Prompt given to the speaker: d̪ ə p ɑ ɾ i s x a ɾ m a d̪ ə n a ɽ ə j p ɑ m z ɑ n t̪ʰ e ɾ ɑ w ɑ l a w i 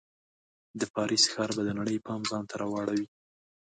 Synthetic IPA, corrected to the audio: d̪ ə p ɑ ɾ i s x ɑ ɾ b a d̪ ə n a ɽ ə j p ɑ m z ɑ n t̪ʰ a ɾ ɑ w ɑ ɽ a w i